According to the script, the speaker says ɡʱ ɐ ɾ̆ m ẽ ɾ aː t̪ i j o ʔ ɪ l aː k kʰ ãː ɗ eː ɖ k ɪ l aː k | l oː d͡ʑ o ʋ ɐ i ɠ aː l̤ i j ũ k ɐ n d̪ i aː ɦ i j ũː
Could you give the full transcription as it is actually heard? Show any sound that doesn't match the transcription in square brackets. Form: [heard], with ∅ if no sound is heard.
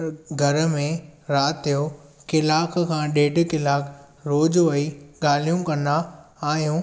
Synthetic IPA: ɡʱ ɐ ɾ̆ m ẽ ɾ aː t̪ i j o [k] ɪ l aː k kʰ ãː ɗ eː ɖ k ɪ l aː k | [ɾ] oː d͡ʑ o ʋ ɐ i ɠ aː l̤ i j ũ k ɐ n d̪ [a] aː ɦ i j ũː